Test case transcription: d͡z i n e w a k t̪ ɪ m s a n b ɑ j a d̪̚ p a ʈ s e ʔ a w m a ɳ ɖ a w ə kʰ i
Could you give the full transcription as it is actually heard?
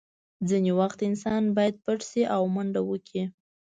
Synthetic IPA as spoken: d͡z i n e w a x t̪ ɪ n s ɑ n b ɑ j a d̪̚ p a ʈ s i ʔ a w m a ɳ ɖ a w ə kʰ i